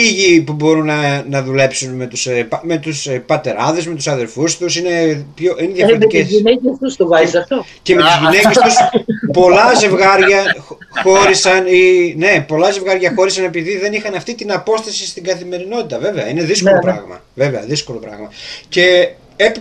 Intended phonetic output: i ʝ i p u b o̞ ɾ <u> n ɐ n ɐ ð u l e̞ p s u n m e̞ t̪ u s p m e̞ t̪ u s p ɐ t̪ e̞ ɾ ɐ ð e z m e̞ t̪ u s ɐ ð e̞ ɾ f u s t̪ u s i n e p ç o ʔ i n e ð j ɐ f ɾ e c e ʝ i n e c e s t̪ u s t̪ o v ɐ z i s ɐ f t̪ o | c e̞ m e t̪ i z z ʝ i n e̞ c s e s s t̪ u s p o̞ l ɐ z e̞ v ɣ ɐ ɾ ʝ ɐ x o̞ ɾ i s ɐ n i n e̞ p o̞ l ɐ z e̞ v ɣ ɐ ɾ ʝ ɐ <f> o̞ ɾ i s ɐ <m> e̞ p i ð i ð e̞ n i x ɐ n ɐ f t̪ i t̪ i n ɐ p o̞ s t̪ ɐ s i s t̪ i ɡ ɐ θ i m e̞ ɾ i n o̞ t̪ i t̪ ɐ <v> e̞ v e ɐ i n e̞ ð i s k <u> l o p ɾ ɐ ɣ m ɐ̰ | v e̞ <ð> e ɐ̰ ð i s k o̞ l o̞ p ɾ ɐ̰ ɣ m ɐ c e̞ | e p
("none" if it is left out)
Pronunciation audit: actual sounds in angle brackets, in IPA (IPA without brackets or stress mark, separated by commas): u, x, n, v, o, v